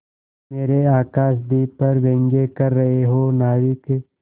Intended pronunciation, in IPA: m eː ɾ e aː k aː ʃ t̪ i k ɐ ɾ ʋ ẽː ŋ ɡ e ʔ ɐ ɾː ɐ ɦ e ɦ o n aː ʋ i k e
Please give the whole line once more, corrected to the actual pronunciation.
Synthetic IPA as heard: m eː ɾ e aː k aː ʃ d̪ i p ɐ ɾ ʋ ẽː ŋ ɡ e k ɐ ɾː ɐ ɦ e ɦ o n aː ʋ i k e